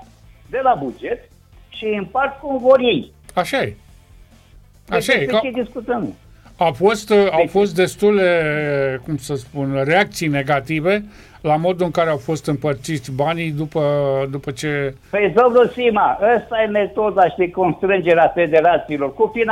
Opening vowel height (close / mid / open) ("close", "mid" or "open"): mid